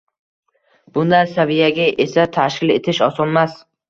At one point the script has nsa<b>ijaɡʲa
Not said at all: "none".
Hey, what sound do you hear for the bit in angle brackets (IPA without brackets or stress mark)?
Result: v